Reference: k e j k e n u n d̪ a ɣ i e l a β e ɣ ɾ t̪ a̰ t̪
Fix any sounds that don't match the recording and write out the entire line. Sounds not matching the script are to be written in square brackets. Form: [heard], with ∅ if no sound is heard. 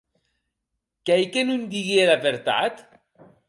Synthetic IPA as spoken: k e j k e n u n d̪ [i] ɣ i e l a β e [∅] ɾ t̪ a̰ t̪